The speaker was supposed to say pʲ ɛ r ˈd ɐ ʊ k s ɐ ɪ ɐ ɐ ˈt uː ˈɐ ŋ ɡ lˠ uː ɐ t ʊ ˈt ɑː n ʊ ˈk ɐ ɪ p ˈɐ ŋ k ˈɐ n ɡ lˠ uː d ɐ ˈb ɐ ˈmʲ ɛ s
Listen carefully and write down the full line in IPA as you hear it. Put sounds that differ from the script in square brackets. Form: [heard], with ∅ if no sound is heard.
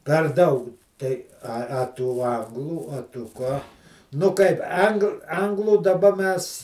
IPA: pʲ ɛ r ˈd ɐ ʊ k [t] ɐ ɪ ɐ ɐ ˈt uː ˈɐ ŋ ɡ lˠ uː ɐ t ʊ [ˈk] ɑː n ʊ ˈk ɐ ɪ p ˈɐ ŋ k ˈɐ [ŋ] ɡ lˠ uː d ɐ ˈb ɐ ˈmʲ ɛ s